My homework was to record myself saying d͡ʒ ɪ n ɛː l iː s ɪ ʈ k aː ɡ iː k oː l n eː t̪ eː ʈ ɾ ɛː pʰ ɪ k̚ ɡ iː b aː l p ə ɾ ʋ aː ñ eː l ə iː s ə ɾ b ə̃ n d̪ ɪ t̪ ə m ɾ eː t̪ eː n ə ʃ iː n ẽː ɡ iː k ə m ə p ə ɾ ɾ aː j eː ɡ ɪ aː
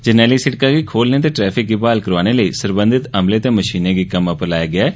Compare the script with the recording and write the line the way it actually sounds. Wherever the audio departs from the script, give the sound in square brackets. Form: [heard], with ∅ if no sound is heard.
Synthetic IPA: d͡ʒ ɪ n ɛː l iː s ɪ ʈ k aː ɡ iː [kʰ] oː l n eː t̪ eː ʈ ɾ ɛː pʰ ɪ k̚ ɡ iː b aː l [k] ə ɾ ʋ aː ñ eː l ə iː s ə ɾ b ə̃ n d̪ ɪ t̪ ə m [l] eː t̪ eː [m] ə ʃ iː n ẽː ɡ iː k ə m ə p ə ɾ [l] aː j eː ɡ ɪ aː